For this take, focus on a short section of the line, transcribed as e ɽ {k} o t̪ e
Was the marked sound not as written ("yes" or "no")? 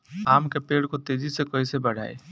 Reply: no